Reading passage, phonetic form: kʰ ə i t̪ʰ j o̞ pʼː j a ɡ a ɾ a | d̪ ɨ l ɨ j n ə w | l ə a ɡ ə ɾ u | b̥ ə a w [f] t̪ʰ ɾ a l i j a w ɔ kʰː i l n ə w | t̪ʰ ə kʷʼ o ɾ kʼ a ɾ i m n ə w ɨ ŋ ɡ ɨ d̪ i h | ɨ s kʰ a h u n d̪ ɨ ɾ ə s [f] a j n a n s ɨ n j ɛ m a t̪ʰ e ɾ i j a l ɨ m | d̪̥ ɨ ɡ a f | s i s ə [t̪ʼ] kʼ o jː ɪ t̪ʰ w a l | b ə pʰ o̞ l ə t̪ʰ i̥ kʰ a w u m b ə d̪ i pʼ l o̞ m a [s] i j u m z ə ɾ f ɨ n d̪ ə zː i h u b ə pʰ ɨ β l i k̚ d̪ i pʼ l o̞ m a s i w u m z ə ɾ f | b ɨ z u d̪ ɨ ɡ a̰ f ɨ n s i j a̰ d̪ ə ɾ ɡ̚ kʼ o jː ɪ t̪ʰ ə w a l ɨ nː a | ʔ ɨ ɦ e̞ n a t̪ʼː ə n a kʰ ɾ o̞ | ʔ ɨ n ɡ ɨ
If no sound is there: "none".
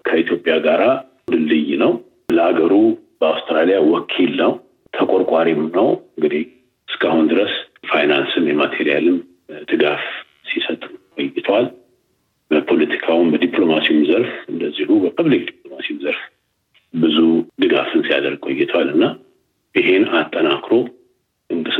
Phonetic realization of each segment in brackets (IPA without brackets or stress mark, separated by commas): s, f, t̪ʼ, s